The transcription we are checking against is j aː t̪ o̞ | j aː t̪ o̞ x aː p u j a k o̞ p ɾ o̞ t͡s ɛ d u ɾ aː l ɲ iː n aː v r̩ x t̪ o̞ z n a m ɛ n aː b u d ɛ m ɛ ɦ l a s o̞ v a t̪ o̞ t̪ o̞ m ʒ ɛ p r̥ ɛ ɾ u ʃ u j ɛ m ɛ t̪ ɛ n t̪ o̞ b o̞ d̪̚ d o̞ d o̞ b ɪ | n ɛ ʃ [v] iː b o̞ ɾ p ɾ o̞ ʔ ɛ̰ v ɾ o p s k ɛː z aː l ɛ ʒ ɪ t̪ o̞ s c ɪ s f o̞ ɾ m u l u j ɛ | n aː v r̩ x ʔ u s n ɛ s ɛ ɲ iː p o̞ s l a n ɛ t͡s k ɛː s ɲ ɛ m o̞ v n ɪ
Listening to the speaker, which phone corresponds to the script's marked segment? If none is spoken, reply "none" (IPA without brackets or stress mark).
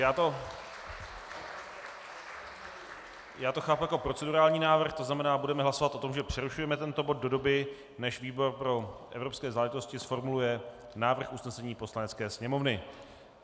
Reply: v